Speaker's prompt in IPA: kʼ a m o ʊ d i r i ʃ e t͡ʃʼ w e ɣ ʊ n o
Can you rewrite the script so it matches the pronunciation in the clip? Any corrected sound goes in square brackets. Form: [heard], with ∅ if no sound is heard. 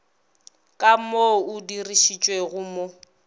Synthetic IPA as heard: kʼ a m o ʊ d i r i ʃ [i] t͡ʃʼ w e ɣ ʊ [m] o